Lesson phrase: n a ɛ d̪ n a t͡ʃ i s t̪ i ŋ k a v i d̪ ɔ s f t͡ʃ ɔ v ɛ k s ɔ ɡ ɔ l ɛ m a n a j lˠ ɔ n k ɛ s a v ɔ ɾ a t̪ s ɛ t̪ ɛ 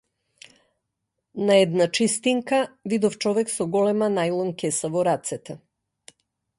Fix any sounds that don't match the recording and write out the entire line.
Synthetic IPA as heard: n a ɛ d̪ n a t͡ʃ i s t̪ i ŋ k a v i d̪ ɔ f t͡ʃ ɔ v ɛ k s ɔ ɡ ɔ l ɛ m a n a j lˠ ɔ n k ɛ s a v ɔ ɾ a t̪ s ɛ t̪ ɛ